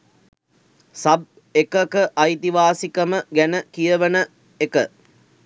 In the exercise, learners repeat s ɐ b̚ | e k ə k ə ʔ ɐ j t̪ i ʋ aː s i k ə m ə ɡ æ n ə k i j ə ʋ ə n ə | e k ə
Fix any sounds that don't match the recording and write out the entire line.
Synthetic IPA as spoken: s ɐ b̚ | e k ə k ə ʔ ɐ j t̪ i ʋ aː s i k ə m ə ɡ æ n ə k i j ə ʋ ə n ə | e k ə